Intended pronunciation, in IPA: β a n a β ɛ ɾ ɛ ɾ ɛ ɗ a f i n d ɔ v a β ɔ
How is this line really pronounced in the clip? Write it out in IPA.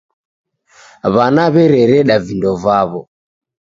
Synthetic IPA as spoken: β a n a β ɛ ɾ ɛ ɾ ɛ ɗ a v i n d ɔ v a β ɔ